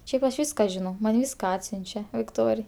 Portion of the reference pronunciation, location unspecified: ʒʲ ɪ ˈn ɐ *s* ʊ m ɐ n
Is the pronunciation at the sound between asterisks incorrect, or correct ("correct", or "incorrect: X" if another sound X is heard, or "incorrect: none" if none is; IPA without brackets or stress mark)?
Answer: incorrect: none